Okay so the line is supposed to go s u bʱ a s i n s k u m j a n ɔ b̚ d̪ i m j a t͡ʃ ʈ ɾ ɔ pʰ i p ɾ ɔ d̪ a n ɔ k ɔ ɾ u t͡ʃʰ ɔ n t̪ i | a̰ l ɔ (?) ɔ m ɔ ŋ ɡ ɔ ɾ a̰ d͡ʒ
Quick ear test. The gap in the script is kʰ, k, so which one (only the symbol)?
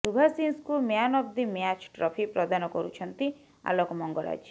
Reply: k